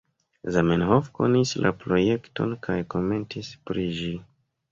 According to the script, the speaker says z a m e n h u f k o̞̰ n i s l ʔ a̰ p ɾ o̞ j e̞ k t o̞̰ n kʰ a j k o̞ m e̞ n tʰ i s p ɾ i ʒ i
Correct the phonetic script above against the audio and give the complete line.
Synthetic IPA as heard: z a m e n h o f k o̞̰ n i s l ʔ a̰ p ɾ o̞ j e̞ k t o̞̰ n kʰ a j k o̞ m e̞ n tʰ i s p ɾ i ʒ i